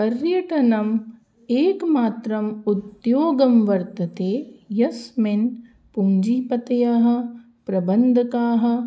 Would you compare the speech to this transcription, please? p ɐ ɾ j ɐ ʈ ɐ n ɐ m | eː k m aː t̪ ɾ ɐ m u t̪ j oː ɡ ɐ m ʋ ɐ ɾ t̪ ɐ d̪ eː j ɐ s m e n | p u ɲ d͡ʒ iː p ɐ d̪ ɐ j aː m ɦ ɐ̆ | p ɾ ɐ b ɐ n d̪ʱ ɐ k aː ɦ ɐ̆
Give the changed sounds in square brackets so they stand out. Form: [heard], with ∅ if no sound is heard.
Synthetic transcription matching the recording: p ɐ ɾ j ɐ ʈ ɐ n ɐ m | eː k m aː t̪ ɾ ɐ m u t̪ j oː ɡ ɐ m ʋ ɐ ɾ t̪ ɐ [t̪] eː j ɐ s m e n | p u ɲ d͡ʒ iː p ɐ [t̪] ɐ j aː [∅] ɦ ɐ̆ | p ɾ ɐ b ɐ n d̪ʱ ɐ k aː ɦ ɐ̆